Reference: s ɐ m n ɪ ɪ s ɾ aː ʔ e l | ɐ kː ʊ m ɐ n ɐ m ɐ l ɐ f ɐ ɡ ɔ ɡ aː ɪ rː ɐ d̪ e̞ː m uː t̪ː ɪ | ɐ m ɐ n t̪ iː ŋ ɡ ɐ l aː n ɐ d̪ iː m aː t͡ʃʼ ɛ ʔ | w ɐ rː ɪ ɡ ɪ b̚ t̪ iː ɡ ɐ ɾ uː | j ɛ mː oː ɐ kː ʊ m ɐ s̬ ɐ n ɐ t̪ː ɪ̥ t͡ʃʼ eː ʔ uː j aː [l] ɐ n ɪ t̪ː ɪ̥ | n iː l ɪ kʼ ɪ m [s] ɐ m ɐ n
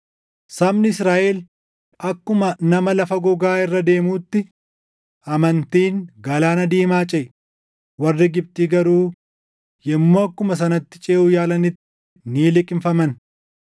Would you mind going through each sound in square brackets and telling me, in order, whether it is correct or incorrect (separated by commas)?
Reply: correct, incorrect